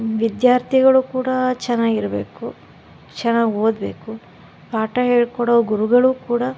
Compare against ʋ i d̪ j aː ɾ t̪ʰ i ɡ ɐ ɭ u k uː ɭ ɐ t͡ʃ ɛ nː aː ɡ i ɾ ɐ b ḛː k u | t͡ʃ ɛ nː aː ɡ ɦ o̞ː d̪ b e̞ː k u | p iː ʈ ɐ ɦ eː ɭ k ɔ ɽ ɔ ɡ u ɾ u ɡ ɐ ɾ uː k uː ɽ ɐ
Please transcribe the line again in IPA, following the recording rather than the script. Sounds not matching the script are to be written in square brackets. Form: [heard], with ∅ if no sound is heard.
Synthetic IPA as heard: ʋ i d̪ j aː ɾ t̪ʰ i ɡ ɐ ɭ u k uː [ɽ] ɐ t͡ʃ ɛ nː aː ɡ i ɾ ɐ b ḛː k u | t͡ʃ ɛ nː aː ɡ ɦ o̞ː d̪ b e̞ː k u | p [aː] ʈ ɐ ɦ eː ɭ k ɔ ɽ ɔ ɡ u ɾ u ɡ ɐ [ɭ] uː k uː ɽ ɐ